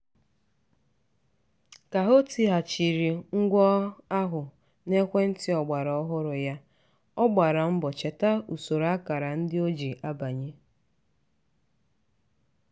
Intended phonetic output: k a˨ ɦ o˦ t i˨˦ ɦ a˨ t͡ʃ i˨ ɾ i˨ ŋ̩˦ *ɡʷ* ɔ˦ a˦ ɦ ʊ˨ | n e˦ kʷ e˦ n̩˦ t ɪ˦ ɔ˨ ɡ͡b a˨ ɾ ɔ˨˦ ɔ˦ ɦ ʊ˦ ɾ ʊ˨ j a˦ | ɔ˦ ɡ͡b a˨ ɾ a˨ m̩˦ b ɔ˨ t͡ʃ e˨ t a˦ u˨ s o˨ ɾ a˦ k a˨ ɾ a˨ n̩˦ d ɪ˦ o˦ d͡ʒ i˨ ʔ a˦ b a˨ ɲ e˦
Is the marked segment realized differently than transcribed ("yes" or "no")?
no